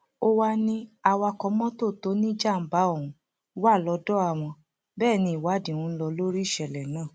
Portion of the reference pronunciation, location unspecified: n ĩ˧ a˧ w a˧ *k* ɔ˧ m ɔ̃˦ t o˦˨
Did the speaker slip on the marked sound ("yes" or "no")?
no